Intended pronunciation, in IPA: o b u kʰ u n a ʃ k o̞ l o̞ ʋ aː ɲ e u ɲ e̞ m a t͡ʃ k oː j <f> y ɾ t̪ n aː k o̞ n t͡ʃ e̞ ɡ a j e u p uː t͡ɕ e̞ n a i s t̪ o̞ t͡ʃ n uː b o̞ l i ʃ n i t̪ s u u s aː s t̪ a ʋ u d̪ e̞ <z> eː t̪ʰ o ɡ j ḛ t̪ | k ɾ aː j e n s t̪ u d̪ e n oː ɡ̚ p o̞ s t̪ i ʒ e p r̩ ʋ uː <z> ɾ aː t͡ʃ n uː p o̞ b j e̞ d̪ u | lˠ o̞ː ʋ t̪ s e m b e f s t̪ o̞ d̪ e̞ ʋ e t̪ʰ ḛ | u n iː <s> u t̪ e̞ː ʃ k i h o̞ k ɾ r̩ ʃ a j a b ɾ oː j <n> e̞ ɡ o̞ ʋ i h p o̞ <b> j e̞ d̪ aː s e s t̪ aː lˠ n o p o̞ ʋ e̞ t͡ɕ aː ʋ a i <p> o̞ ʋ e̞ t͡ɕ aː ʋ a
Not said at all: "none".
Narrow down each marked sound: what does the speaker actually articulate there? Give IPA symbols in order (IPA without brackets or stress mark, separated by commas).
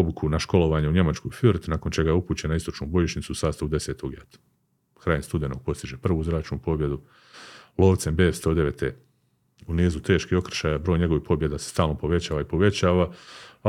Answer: f, s, z, z, ɲ, b, p